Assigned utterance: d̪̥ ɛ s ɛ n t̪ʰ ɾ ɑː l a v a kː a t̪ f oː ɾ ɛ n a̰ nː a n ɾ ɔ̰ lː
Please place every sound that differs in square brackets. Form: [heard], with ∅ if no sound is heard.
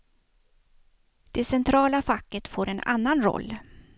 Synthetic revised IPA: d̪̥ ɛ s ɛ n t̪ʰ ɾ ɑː l a [f] a kː [ə] t̪ f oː ɾ ɛ n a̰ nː a n ɾ ɔ̰ lː